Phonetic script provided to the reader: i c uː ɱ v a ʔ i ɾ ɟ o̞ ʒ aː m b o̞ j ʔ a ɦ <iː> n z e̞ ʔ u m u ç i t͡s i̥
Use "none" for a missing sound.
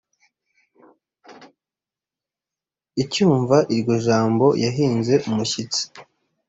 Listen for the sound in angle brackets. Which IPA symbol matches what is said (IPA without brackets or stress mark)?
iː